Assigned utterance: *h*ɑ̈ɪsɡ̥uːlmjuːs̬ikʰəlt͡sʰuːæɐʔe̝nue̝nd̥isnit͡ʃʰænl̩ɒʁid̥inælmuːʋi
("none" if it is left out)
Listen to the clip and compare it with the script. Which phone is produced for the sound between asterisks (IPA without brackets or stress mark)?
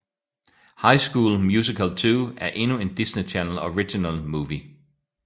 h